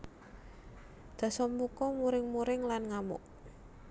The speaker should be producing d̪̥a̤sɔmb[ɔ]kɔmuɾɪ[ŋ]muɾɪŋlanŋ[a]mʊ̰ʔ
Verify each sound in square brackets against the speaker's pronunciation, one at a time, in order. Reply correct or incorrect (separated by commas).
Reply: incorrect, correct, correct